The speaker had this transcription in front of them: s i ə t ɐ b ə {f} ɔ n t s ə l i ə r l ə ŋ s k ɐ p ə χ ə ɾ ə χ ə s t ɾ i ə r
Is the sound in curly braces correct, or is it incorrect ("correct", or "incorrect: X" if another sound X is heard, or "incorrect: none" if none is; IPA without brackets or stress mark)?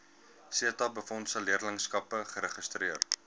correct